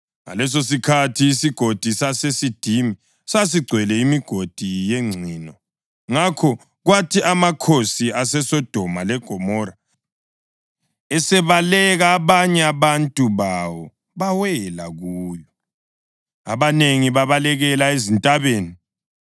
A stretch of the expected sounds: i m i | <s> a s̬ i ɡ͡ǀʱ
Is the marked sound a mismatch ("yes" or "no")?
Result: no